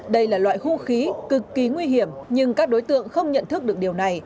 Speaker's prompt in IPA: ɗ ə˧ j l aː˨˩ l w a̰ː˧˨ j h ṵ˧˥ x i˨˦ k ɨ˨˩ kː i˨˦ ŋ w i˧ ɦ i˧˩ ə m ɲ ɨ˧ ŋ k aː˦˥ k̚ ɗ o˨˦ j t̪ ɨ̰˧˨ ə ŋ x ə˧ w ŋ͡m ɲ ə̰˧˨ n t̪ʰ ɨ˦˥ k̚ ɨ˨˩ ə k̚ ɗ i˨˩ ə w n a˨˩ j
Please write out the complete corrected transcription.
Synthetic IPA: ɗ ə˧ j l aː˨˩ l w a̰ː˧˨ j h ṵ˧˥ x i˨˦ k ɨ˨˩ kː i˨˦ ŋ w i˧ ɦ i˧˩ ə m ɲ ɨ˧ ŋ k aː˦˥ k̚ ɗ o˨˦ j t̪ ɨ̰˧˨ ə ŋ x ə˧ w ŋ͡m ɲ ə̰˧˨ n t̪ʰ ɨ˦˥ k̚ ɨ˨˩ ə k̚ ɗ i˨˩ ə w n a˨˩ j